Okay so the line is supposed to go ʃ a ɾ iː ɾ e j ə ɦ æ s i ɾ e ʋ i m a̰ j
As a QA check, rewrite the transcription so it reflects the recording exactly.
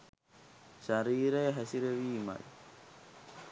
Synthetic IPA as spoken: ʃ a ɾ iː ɾ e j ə ɦ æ s i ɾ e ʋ iː m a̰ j

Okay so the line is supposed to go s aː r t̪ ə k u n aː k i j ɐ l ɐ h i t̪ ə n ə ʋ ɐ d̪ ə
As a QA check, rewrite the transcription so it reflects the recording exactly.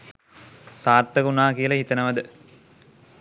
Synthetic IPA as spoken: s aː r t̪ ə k u n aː k i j ə l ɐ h i t̪ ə n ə ʋ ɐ d̪ ə

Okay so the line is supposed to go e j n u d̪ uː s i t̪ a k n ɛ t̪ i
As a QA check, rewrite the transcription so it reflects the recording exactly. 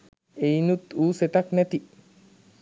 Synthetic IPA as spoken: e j n u t̪ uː s e t̪ a k n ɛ t̪ i

